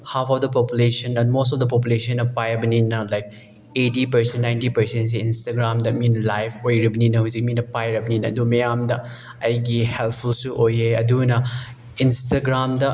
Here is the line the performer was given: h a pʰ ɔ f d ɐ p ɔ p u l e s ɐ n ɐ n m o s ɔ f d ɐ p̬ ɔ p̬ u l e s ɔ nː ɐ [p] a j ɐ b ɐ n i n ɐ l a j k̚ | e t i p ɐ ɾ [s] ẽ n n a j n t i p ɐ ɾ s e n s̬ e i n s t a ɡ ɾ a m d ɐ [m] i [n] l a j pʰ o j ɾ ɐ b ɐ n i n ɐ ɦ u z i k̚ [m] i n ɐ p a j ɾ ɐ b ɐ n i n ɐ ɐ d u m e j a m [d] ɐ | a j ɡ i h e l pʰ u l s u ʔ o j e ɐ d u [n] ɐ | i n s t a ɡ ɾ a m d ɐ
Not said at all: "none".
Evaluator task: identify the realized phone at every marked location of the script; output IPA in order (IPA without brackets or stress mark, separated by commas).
p, s, m, n, m, d, n